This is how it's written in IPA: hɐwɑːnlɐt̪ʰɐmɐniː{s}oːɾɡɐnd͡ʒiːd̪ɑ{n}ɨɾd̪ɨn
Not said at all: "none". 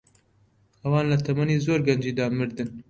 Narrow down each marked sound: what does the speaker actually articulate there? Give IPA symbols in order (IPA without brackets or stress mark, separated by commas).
z, m